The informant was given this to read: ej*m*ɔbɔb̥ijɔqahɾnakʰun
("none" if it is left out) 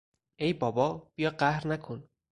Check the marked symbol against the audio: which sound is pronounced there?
b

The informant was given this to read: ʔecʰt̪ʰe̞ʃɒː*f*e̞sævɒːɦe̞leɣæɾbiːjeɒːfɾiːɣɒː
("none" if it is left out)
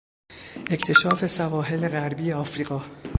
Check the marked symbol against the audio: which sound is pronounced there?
f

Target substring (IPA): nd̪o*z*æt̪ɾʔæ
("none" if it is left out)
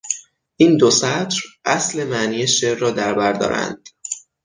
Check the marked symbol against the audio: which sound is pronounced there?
s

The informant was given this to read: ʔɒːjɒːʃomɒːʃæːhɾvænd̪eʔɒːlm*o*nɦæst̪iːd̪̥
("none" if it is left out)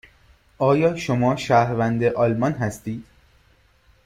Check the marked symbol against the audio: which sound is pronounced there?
ɒ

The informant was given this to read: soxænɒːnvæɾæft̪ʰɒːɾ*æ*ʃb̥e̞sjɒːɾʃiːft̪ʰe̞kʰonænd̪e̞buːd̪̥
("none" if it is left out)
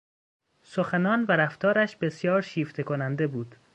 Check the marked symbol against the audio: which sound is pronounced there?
æ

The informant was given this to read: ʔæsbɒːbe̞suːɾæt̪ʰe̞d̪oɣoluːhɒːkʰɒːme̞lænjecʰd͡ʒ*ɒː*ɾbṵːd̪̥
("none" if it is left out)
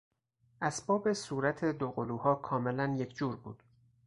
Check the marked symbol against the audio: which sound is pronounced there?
uː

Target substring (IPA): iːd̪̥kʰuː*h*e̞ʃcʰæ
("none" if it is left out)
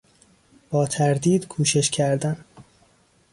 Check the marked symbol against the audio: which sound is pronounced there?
ʃ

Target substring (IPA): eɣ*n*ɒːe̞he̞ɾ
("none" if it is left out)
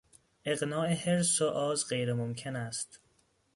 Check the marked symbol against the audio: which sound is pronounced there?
n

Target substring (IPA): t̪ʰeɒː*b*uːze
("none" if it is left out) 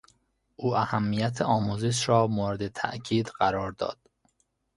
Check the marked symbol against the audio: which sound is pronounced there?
m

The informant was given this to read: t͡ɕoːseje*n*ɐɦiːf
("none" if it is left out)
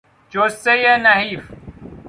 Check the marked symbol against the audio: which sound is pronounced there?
n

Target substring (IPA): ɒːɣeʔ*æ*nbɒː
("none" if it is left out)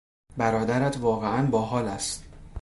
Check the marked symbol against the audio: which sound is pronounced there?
æ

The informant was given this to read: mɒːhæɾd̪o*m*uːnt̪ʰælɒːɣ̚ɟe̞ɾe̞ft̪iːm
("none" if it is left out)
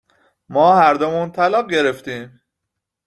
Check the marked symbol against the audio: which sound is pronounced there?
m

